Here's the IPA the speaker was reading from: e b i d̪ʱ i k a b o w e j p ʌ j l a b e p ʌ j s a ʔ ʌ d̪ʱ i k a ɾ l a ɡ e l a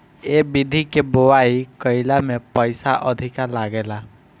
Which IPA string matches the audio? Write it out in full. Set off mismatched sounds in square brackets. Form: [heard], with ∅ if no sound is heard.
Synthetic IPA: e b i d̪ʱ i k [e] b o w [a] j [k] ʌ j l a [m] e p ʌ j s a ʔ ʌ d̪ʱ i k a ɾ l a ɡ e l a